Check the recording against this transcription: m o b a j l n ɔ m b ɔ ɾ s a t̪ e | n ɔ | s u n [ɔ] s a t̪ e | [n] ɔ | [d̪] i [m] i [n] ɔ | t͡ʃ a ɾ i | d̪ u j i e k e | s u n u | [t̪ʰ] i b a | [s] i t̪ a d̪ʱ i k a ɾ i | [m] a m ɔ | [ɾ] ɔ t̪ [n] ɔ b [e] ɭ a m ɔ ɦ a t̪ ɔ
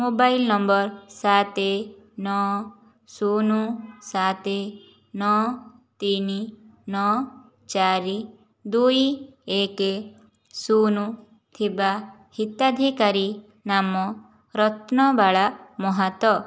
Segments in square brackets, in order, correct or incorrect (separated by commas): incorrect, correct, incorrect, incorrect, correct, correct, incorrect, incorrect, correct, correct, incorrect